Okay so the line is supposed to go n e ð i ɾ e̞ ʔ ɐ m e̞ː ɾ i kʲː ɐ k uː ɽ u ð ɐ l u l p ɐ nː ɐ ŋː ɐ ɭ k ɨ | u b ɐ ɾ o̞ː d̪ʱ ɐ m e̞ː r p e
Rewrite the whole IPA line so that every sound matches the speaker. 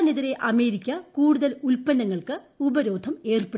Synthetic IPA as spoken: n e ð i ɾ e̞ ʔ ɐ m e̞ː ɾ i kʲː ɐ k uː ɽ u ð ɐ l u l p ɐ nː ɐ ŋː ɐ ɭ k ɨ | u b ɐ ɾ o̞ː d̪ʱ ɐ m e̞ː r p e